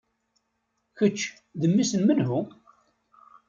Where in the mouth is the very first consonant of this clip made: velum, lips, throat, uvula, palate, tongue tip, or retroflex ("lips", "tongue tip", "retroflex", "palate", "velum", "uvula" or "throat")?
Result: palate